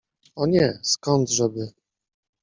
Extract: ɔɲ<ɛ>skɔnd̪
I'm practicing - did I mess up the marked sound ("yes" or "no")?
no